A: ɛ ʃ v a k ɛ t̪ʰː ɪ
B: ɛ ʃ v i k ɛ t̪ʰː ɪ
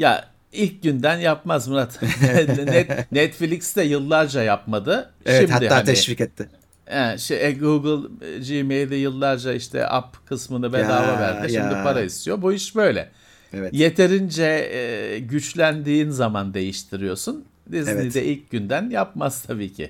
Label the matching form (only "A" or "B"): B